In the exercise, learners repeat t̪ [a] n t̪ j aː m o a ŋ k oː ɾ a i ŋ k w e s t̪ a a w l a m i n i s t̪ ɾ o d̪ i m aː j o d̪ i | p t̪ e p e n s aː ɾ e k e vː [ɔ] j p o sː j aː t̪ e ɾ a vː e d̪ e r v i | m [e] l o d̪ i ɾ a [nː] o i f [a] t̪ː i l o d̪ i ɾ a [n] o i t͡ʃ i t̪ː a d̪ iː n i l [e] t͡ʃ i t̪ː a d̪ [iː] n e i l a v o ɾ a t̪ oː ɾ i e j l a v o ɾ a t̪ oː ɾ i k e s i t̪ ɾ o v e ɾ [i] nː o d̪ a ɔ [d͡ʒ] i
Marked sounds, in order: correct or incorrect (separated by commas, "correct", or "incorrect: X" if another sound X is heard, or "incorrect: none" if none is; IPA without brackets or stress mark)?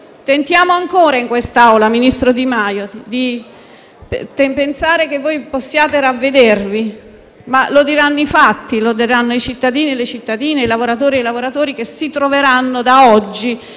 incorrect: e, incorrect: o, incorrect: a, correct, correct, incorrect: nː, correct, correct, incorrect: a, incorrect: d͡ʒː